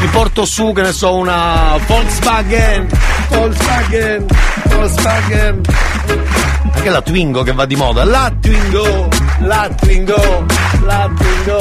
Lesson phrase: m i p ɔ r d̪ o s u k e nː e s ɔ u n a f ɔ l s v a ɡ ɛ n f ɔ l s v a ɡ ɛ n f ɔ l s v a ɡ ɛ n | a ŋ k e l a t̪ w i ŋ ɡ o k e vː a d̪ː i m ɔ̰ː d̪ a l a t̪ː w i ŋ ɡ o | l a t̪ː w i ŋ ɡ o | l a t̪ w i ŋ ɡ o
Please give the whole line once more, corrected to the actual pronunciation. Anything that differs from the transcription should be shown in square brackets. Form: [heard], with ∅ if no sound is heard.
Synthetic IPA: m i p ɔ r [t̪] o s u k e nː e s ɔ u n a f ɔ l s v a ɡ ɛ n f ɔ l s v a ɡ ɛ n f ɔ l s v a ɡ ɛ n | a ŋ k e l a t̪ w i ŋ ɡ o k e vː a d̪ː i m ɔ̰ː d̪ a l a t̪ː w i ŋ ɡ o | l a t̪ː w i ŋ ɡ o | l a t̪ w i ŋ ɡ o